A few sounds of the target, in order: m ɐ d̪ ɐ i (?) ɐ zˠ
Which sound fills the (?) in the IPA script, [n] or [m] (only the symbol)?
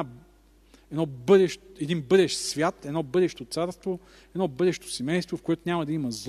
m